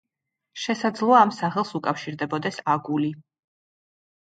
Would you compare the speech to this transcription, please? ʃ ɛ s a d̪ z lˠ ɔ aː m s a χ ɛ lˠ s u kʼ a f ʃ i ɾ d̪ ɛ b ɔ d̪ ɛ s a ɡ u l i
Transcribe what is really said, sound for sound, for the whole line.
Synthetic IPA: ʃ ɛ s a d̪ z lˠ ɔ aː m s a χ ɛ lˠ s u kʼ a f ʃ i ɾ d̪ ɛ b ɔ d̪ ɛ s a ɡ u l i

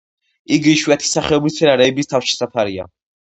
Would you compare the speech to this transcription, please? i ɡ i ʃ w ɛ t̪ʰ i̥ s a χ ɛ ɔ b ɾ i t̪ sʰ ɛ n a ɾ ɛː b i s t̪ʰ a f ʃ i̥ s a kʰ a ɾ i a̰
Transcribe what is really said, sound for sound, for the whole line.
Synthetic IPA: i ɡ i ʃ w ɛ t̪ʰ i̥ s a χ ɛ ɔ b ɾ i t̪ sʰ ɛ n a ɾ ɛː b i s t̪ʰ a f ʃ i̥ s a pʰ a ɾ i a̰

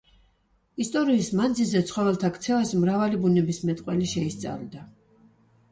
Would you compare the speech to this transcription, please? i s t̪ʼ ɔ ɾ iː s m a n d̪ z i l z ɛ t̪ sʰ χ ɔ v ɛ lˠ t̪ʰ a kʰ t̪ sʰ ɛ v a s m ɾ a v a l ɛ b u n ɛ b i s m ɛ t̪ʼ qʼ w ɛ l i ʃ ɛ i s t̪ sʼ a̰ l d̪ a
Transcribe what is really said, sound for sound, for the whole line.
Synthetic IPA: i s t̪ʼ ɔ ɾ iː s m a n d̪ z i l z ɛ t̪ sʰ χ ɔ v ɛ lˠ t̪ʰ a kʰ t̪ sʰ ɛ v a s m ɾ a v a l i b u n ɛ b i s m ɛ t̪ʼ qʼ w ɛ l i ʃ ɛ i s t̪ sʼ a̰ l d̪ a

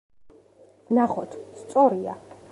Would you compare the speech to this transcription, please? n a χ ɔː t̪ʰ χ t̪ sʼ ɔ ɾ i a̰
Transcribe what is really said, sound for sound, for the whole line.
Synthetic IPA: n a χ ɔ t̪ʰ s t̪ sʼ ɔ ɾ i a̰

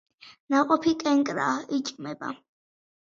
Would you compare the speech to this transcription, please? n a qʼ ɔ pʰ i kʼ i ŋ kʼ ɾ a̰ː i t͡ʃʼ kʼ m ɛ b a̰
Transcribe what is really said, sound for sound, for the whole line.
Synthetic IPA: n a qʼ ɔ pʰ i kʼ ɛ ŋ kʼ ɾ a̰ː i t͡ʃʼ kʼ m ɛ b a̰

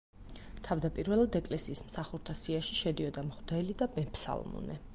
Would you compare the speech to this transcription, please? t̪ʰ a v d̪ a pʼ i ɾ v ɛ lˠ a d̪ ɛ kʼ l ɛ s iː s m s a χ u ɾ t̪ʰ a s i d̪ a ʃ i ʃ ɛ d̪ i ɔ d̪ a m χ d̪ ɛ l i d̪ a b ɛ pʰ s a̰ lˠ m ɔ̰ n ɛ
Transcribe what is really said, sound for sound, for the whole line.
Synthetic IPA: t̪ʰ a v d̪ a pʼ i ɾ v ɛ lˠ a d̪ ɛ kʼ l ɛ s iː s m s a χ u ɾ t̪ʰ a s i a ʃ i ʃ ɛ d̪ i ɔ d̪ a m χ d̪ ɛ l i d̪ a b ɛ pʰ s a̰ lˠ m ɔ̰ n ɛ

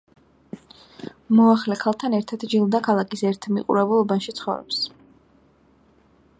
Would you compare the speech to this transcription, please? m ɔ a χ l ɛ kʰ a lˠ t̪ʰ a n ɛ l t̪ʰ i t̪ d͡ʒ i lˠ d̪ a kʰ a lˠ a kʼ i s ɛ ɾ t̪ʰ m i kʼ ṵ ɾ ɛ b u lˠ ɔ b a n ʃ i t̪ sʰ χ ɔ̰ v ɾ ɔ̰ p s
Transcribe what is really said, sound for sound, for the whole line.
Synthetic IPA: m ɔ a χ l ɛ kʰ a lˠ t̪ʰ a n ɛ ɾ t̪ʰ a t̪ d͡ʒ i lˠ d̪ a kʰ a lˠ a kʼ i s ɛ ɾ t̪ʰ m i qʼ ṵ ɾ ɛ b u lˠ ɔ b a n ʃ i t̪ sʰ χ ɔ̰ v ɾ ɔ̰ p s

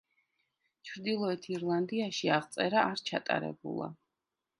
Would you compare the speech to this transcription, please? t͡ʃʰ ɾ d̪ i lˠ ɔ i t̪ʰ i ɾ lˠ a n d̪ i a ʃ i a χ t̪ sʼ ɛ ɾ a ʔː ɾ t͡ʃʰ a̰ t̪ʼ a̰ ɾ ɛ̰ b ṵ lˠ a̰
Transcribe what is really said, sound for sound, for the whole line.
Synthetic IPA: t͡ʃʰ ɾ d̪ i lˠ ɔ ɛ t̪ʰ i ɾ lˠ a n d̪ i a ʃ i a ʁ t̪ sʼ ɛ ɾ a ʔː ɾ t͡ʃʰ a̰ t̪ʼ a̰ ɾ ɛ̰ b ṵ lˠ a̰

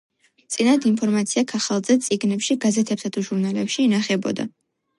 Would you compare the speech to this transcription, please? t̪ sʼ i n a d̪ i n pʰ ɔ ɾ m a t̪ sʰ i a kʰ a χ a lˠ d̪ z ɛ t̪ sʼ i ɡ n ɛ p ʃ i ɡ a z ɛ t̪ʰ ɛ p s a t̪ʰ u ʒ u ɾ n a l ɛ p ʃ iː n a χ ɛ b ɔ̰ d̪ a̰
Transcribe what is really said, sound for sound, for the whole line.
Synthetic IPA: t̪ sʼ i n a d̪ i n pʰ ɔ ɾ m a t̪ sʰ i a kʰ a χ a lˠ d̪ z ɛ t̪ sʼ i ɡ n ɛ p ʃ i ɡ a z ɛ t̪ʰ ɛ p s a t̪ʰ u ʒ u ɾ n a l ɛ p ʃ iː n a χ ɛ b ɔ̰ d̪ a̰

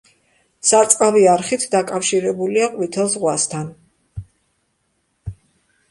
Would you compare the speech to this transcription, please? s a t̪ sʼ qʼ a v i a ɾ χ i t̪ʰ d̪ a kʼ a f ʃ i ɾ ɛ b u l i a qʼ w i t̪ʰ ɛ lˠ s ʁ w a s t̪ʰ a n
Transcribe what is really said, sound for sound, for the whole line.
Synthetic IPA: s a t̪ sʼ qʼ a v i a ɾ χ i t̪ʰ d̪ a kʼ a f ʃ i ɾ ɛ b u l i a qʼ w i t̪ʰ ɛ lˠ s ʁ w a s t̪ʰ a n

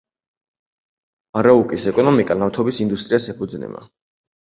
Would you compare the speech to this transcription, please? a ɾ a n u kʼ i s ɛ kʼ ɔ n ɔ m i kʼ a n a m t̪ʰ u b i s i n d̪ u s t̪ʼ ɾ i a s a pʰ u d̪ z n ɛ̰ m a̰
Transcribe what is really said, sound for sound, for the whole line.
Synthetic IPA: a ɾ a u kʼ i s ɛ kʼ ɔ n ɔ m i kʼ a n a m t̪ʰ ɔ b i s i n d̪ u s t̪ʼ ɾ i a s ɛ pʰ u d̪ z n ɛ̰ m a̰

